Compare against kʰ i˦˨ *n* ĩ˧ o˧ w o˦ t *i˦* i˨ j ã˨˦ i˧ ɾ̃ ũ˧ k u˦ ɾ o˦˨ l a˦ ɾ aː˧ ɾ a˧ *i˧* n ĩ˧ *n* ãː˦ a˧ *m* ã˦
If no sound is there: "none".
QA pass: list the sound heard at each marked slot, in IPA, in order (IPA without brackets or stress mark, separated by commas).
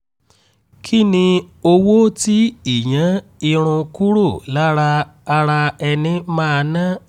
n, i˦, ɛ˧, m, n